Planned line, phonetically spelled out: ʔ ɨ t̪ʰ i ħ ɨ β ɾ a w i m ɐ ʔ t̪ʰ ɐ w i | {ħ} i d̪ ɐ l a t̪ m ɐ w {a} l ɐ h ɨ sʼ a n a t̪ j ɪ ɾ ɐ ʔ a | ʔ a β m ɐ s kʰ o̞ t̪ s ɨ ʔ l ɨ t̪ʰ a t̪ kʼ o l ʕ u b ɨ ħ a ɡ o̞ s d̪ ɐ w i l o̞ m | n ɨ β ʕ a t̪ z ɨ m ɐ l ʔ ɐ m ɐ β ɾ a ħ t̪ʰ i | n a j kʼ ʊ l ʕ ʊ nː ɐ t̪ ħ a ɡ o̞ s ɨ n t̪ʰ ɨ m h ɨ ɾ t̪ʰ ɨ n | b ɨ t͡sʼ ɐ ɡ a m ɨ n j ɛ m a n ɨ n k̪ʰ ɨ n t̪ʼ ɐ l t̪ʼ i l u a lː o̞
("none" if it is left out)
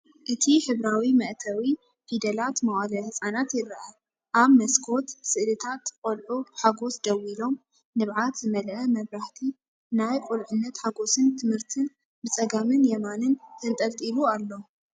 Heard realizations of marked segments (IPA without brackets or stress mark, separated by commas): f, a